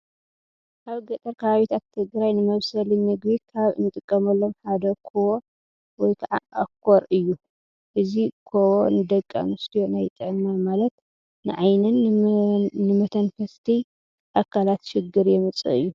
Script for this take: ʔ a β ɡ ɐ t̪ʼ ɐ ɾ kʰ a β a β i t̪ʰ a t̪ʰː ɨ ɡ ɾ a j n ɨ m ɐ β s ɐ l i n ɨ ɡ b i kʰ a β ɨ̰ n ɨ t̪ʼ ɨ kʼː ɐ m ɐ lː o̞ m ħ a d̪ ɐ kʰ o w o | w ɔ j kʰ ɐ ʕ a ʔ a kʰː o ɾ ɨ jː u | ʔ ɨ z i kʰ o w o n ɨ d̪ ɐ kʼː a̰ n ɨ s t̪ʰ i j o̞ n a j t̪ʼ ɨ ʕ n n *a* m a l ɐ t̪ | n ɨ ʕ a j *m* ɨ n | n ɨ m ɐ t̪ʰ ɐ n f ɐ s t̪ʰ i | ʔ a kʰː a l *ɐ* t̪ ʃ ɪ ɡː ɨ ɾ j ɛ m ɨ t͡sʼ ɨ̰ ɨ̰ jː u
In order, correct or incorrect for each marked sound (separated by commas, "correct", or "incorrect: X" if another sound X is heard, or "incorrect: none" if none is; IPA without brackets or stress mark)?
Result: correct, incorrect: n, incorrect: a